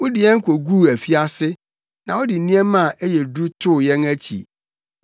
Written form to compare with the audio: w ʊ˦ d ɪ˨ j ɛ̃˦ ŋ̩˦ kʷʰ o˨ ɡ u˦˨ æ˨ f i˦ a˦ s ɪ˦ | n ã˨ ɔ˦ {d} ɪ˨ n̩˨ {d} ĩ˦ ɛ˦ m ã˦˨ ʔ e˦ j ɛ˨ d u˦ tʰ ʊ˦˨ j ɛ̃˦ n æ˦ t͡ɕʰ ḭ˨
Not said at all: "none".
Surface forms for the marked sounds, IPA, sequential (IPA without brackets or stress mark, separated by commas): d, n